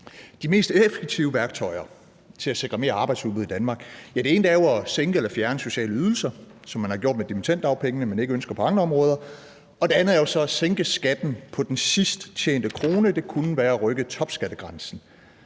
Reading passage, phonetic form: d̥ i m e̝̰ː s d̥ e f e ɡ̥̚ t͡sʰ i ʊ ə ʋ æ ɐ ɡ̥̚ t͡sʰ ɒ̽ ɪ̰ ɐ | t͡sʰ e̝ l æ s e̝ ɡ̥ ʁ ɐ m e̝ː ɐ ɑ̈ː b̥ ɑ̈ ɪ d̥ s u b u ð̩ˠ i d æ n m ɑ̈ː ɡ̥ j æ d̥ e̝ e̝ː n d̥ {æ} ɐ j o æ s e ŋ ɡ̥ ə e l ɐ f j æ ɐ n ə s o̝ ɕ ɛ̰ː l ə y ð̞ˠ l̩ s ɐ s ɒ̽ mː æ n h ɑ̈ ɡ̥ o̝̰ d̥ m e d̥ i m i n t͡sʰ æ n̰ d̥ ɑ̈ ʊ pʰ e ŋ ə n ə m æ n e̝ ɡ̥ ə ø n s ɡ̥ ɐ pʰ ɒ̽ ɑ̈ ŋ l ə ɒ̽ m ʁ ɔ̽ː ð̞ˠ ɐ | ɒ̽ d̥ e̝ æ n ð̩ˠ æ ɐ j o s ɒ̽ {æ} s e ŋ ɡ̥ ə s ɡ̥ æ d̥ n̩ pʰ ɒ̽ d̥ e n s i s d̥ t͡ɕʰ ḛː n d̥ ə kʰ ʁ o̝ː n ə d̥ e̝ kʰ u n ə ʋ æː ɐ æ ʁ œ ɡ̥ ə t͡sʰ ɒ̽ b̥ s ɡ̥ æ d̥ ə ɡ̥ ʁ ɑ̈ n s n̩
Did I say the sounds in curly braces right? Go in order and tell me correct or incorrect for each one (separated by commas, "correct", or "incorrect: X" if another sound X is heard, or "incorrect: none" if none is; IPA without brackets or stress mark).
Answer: correct, correct